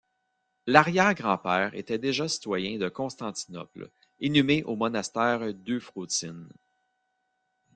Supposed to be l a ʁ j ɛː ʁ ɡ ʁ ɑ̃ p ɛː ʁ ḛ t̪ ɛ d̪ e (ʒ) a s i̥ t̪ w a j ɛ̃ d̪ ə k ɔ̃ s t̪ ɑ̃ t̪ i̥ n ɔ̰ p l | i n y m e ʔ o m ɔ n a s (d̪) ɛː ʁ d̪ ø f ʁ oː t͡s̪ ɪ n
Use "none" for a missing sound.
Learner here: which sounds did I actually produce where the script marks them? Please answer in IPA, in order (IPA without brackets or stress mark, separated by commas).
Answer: ʒ, t̪